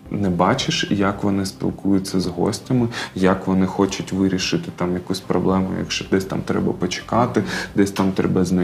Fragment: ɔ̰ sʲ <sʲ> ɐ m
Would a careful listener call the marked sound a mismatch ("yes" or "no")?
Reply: yes